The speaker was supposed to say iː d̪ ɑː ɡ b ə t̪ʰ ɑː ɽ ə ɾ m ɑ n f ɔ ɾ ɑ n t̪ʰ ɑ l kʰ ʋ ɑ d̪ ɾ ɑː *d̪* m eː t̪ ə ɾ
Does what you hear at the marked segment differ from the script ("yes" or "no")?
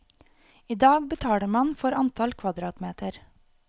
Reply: yes